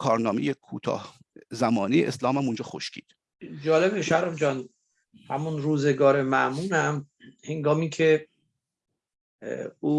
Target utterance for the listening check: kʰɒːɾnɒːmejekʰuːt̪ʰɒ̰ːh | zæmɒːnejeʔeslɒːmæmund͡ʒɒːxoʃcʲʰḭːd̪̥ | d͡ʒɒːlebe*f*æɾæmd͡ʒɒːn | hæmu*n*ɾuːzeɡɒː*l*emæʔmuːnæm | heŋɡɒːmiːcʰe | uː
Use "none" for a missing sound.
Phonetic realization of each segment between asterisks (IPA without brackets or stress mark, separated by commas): ʃ, n, ɾ